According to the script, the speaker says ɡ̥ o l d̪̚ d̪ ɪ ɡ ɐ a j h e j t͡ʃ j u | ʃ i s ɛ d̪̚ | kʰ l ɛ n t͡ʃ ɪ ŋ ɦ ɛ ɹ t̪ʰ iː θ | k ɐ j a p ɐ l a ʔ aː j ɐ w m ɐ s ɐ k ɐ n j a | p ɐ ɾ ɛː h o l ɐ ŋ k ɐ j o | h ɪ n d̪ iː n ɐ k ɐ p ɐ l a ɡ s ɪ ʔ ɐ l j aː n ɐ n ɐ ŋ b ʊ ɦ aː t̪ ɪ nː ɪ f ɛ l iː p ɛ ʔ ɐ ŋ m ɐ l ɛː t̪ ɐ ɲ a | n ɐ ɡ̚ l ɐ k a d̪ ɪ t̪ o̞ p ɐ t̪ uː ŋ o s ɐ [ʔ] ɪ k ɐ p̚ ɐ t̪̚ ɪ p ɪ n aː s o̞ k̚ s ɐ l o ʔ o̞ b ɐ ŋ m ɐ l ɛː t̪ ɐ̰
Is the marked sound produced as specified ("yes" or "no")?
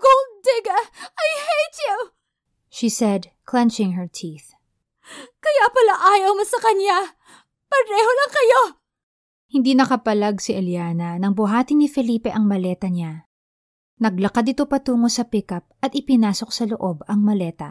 no